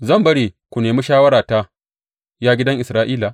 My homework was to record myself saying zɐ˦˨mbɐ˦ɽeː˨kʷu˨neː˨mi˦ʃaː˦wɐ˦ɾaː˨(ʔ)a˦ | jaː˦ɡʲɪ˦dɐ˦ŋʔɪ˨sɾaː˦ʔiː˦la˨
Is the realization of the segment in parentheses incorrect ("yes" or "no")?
yes